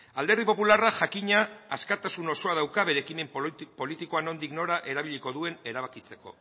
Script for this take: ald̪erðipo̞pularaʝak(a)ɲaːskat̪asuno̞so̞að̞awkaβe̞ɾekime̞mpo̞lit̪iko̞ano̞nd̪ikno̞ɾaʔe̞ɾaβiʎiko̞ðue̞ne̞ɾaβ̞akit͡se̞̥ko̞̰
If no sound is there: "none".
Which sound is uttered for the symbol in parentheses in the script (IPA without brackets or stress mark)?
i